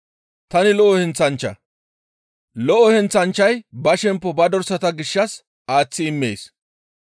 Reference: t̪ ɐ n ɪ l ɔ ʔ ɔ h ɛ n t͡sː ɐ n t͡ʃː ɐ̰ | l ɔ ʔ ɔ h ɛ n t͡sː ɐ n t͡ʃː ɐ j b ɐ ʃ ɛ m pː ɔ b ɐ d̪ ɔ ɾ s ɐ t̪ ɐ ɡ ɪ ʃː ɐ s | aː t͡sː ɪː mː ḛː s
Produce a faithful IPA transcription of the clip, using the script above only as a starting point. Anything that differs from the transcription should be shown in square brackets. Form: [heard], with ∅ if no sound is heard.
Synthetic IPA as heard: t̪ ɐ n ɪ l ɔ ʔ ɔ h ɛ n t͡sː ɐ n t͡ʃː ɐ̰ | l ɔ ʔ ɔ h ɛ n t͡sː ɐ n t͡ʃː ɐ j b ɐ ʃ ɛ m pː ɔ b ɐ d̪ ɔ ɾ s ɐ t̪ ɐ ɡ ɪ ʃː ɐ s | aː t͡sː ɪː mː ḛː s